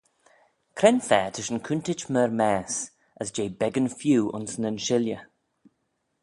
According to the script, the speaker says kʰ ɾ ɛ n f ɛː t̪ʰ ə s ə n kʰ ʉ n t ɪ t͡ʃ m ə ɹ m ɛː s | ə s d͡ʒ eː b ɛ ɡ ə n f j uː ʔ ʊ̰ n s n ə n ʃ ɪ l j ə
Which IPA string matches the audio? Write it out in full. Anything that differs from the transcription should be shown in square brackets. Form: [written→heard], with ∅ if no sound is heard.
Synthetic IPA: kʰ ɾ ɛ n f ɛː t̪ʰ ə [s→ʃ] ə n kʰ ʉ n t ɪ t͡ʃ m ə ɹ m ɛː s | ə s d͡ʒ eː b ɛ ɡ ə n f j uː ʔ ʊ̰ n s n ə n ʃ ɪ l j ə